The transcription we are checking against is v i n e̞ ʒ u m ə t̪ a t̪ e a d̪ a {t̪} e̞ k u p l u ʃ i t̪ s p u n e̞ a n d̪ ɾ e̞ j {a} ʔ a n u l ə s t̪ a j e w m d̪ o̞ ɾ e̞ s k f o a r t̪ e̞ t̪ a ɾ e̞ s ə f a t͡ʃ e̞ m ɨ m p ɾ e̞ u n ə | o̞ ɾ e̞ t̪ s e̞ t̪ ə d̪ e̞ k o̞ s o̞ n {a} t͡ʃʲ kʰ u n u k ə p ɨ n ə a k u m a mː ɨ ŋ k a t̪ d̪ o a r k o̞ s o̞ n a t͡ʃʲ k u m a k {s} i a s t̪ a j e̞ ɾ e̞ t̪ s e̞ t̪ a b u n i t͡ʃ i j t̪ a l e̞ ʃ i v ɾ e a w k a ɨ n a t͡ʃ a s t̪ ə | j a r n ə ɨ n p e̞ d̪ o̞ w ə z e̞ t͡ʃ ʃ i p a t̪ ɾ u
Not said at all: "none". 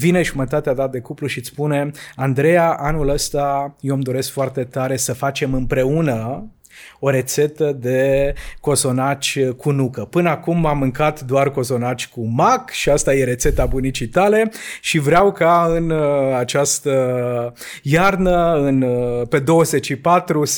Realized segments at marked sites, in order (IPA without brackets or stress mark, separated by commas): d̪, a, a, ʃ